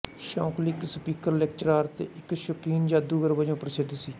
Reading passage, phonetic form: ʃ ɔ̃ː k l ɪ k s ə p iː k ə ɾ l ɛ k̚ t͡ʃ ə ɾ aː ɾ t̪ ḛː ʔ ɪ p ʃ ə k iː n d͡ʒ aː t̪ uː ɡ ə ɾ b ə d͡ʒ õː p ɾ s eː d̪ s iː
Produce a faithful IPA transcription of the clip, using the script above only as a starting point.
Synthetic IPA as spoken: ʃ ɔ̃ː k l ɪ k s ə p iː k ə ɾ l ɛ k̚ t͡ʃ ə ɾ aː ɾ t̪ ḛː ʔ ɪ k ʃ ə k iː n d͡ʒ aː d̪ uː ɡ ə ɾ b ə d͡ʒ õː p ɾ s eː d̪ s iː